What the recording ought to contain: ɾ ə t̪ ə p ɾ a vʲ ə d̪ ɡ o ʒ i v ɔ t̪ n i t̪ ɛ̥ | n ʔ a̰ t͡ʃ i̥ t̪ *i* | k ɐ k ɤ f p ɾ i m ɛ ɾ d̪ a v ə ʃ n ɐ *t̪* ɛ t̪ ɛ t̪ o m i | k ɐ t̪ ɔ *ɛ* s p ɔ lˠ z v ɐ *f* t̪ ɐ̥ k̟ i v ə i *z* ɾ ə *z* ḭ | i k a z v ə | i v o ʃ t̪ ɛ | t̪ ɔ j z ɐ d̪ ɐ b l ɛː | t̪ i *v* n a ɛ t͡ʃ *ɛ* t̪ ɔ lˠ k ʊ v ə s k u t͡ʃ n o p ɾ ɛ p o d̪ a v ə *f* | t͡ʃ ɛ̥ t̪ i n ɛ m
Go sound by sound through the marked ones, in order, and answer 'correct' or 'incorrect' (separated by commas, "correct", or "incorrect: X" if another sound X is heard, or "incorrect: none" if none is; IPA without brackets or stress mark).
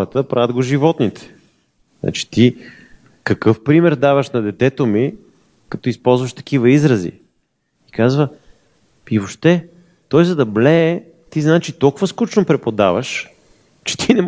correct, incorrect: d̪, incorrect: i, incorrect: ʃ, correct, correct, incorrect: z, incorrect: i, incorrect: ʃ